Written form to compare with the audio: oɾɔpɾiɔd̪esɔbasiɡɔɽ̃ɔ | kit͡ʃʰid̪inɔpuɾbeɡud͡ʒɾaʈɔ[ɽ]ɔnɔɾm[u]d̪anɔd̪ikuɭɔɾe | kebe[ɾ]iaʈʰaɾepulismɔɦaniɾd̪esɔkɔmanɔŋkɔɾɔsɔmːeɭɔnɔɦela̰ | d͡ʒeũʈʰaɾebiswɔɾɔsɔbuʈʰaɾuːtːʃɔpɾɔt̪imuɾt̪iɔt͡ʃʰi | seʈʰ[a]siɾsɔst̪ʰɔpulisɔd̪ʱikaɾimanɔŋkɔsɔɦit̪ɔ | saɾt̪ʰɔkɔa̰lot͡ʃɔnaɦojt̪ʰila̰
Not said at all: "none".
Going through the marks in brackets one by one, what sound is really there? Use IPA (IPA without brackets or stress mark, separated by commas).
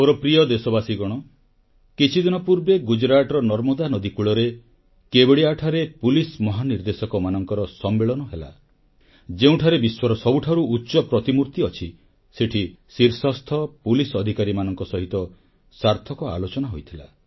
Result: ɾ, ɔ, ɽ, i